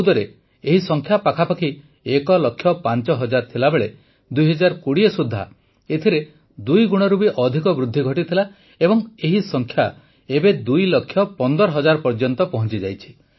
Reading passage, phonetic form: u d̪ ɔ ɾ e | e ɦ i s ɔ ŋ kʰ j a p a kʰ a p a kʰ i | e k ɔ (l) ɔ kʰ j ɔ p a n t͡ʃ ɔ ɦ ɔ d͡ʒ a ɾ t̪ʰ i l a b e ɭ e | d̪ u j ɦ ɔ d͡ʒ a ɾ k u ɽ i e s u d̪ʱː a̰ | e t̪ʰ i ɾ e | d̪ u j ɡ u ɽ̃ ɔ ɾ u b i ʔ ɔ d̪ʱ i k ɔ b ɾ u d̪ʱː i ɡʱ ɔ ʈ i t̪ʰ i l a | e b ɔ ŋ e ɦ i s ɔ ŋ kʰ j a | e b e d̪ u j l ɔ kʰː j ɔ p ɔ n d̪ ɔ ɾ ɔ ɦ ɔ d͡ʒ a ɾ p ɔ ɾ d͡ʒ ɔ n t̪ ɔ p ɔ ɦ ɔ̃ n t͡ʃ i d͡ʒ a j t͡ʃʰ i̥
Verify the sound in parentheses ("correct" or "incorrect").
correct